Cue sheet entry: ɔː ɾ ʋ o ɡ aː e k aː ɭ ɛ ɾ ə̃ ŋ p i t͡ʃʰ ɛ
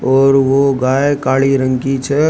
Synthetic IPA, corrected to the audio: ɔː ɾ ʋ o ɡ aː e k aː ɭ i ɾ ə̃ ŋ k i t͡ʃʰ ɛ